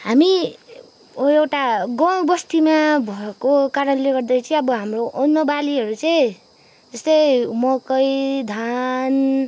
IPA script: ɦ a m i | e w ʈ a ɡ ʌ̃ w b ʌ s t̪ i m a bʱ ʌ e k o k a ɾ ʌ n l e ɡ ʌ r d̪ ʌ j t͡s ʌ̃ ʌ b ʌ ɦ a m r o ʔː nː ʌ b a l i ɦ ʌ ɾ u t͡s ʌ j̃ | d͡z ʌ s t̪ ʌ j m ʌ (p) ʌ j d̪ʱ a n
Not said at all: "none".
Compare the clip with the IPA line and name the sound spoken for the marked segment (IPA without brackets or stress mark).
k